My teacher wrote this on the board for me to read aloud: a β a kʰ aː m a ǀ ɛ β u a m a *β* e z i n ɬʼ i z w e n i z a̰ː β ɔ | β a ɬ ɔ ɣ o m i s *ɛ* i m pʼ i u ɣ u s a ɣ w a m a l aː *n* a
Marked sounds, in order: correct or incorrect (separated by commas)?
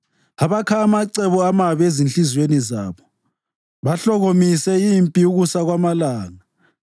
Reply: correct, correct, incorrect